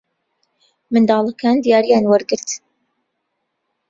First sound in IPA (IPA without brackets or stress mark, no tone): m